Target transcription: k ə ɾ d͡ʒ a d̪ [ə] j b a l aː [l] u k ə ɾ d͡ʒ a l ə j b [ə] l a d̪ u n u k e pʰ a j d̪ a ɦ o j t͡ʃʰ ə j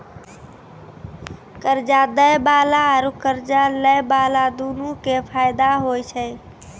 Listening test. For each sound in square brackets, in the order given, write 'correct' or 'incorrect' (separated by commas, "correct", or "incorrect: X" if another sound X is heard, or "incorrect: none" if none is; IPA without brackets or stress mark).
correct, incorrect: ɾ, incorrect: a